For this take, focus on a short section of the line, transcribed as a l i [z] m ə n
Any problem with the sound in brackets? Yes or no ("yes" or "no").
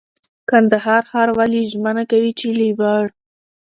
yes